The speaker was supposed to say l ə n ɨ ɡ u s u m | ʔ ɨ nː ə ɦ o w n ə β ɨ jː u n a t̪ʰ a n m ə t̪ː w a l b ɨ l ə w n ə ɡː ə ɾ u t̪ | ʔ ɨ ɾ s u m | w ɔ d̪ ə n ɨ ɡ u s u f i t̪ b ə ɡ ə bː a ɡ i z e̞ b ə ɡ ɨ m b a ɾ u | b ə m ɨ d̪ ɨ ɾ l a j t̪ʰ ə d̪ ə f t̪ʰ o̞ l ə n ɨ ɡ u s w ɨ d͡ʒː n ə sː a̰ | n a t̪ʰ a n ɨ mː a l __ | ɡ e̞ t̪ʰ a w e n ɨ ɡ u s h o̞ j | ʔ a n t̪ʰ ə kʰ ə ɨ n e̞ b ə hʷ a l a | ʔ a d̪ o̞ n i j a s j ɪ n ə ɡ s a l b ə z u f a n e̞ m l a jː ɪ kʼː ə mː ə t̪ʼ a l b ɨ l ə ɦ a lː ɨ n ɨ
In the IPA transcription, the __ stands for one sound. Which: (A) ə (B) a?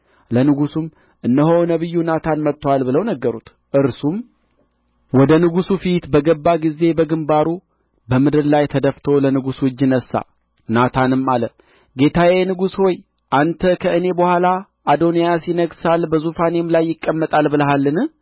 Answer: A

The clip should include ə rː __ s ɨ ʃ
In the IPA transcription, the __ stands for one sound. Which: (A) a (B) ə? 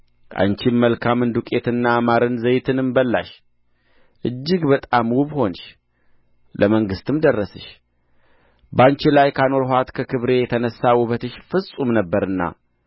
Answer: B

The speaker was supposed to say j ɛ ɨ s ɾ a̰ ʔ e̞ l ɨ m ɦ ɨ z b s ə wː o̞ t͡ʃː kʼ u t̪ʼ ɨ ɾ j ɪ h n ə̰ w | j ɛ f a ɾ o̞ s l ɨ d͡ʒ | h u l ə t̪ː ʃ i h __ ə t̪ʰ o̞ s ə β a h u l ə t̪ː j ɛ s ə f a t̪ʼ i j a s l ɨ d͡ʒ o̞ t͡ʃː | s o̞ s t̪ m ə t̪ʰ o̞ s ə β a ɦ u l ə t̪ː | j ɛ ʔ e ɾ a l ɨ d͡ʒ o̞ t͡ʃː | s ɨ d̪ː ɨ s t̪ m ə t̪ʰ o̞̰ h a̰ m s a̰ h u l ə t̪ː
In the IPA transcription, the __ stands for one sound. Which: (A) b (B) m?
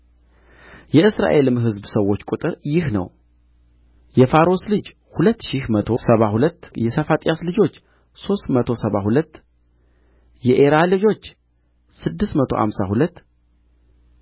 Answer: B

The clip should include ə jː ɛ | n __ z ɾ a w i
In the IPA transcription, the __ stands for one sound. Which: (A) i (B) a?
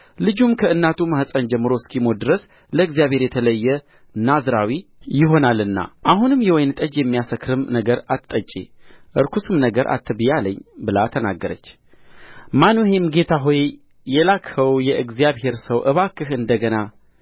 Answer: B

